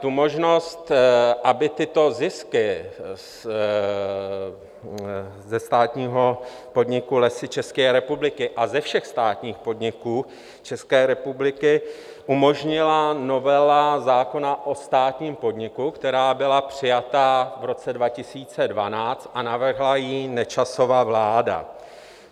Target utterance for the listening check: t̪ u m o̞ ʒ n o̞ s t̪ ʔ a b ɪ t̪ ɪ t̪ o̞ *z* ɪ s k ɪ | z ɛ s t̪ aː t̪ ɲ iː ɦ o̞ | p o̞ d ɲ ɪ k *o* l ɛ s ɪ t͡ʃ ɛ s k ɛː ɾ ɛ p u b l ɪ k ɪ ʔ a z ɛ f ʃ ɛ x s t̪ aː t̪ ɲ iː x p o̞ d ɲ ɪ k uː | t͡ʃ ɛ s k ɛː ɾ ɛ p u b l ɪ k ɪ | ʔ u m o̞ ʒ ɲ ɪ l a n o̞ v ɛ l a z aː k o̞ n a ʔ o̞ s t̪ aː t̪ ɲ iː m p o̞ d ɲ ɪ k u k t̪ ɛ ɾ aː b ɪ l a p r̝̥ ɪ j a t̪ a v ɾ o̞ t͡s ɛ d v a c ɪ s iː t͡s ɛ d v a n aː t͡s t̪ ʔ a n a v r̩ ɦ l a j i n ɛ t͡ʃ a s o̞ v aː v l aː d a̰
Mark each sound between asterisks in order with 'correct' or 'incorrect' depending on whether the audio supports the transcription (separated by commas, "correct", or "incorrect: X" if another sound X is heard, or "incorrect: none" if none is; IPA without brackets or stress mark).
correct, incorrect: u